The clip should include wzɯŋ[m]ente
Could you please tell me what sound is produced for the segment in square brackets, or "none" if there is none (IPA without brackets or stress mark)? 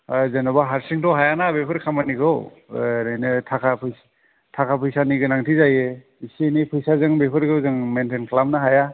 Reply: m